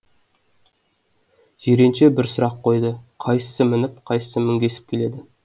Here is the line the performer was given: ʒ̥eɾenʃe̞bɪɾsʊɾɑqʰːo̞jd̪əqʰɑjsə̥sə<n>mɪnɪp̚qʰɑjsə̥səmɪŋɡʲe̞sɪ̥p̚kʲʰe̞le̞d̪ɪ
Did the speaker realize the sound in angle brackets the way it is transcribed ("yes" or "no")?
no